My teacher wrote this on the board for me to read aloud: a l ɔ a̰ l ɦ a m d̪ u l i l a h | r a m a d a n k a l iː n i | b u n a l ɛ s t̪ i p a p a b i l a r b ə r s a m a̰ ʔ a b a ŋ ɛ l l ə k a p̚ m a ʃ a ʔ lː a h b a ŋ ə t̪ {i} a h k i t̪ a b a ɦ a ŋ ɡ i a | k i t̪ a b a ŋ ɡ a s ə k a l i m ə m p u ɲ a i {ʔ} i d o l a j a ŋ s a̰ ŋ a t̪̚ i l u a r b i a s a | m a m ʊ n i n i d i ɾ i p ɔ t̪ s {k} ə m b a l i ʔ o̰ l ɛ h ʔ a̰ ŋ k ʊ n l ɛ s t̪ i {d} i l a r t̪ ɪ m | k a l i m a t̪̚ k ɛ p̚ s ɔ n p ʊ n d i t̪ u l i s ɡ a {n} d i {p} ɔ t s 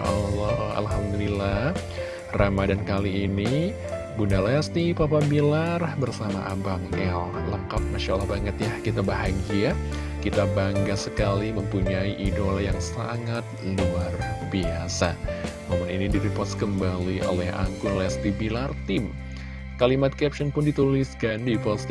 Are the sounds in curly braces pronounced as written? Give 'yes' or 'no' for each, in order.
no, yes, yes, no, yes, yes

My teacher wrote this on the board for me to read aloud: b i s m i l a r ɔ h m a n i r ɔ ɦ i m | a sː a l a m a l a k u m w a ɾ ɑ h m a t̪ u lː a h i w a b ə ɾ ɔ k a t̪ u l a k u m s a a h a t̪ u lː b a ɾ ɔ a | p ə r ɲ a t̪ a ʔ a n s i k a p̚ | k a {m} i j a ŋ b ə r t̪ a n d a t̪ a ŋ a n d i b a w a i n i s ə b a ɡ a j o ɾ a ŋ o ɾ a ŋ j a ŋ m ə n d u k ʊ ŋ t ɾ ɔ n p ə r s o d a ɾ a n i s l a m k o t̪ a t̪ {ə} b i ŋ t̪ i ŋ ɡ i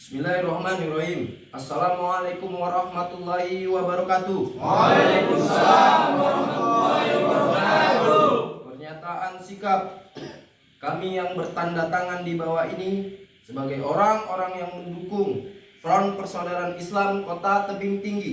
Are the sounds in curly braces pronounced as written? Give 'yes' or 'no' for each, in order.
yes, yes

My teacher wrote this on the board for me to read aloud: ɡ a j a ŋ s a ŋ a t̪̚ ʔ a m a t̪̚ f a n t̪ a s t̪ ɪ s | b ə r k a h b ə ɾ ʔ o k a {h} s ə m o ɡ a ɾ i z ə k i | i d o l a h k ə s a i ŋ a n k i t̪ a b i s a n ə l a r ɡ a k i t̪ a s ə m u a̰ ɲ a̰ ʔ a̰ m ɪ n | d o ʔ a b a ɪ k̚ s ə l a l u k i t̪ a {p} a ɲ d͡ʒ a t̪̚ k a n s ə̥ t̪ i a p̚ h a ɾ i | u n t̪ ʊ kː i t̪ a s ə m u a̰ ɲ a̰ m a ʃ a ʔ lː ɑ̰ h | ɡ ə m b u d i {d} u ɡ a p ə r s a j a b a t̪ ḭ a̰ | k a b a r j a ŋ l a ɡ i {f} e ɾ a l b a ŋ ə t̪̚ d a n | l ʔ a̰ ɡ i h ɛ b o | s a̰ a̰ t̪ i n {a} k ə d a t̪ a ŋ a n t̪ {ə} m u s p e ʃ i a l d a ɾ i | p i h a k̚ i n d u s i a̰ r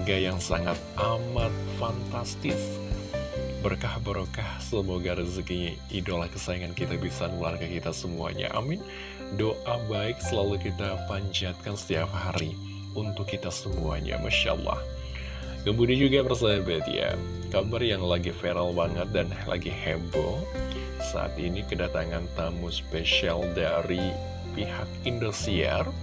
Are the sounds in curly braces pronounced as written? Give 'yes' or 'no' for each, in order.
yes, yes, no, yes, no, no

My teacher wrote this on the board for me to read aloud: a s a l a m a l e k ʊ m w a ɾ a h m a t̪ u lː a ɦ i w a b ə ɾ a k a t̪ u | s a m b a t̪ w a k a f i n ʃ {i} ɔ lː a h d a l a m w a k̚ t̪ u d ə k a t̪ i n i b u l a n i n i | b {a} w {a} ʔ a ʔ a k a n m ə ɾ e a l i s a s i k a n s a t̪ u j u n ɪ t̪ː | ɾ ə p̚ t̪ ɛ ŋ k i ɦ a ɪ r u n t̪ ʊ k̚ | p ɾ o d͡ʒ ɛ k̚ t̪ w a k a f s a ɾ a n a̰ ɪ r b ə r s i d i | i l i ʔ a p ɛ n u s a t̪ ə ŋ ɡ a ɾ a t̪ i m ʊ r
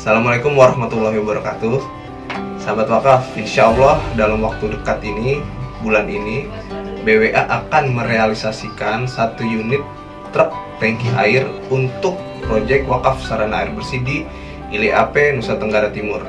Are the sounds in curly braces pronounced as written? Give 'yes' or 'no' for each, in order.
no, no, no

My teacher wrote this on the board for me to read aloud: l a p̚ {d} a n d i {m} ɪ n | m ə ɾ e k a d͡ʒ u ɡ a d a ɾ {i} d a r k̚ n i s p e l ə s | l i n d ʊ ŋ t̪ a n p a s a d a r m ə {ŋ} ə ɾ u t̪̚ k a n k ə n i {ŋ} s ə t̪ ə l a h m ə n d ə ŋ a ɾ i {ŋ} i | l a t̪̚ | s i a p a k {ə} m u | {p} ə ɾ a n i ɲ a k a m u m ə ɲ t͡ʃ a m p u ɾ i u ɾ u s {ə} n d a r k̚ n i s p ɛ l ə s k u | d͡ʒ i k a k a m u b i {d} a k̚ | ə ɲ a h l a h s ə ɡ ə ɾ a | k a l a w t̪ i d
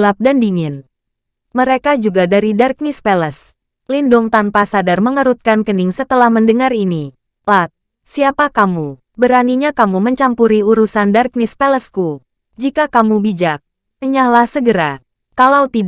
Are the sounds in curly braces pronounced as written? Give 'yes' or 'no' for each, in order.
yes, no, yes, yes, yes, no, no, no, no, no

